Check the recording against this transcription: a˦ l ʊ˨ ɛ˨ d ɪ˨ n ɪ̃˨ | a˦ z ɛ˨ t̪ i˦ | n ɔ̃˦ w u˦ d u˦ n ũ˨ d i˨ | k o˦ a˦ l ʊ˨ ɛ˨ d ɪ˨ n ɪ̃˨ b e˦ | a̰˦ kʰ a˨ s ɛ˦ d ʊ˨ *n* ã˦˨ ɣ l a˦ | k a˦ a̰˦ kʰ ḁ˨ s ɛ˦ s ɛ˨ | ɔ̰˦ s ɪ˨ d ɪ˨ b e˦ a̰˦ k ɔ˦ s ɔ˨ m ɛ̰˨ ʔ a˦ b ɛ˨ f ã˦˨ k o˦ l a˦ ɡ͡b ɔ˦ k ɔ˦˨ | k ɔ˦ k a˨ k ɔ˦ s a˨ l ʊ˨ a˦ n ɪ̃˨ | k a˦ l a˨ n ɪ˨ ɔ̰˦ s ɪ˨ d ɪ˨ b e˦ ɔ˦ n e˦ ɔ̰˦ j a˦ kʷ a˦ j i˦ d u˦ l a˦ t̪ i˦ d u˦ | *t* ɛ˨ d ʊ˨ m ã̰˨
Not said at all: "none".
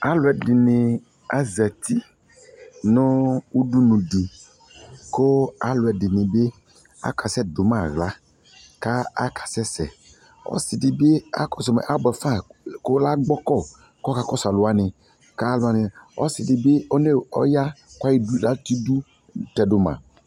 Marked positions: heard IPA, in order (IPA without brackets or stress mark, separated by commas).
m, t